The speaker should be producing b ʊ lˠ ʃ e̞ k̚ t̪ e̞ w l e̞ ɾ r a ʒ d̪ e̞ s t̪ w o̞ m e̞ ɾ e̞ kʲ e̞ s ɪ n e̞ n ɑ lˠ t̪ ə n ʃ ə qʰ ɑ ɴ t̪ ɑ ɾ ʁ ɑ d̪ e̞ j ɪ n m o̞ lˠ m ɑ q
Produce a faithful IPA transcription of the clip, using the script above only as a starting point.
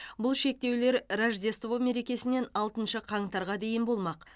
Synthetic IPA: b ʊ lˠ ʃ e̞ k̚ t̪ e̞ w l e̞ ɾ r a ʒ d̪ e̞ s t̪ v o̞ m e̞ ɾ e̞ kʲ e̞ s ɪ n e̞ n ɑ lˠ t̪ ə n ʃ ə qʰ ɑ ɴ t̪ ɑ ɾ ʁ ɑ d̪ e̞ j ɪ n b o̞ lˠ m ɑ q